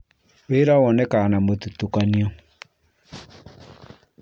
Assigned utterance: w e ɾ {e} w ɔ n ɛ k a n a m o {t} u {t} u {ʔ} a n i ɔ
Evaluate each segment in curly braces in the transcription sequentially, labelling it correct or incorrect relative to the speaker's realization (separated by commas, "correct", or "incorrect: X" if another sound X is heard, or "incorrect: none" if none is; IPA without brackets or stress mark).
incorrect: a, correct, correct, incorrect: k